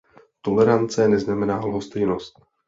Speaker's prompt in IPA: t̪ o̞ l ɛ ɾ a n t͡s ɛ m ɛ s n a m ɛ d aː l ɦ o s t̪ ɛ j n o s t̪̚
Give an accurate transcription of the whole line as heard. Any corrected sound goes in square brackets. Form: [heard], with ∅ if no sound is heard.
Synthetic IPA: t̪ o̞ l ɛ ɾ a n t͡s ɛ [n] ɛ [z] n a m ɛ [n] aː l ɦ o s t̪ ɛ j n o s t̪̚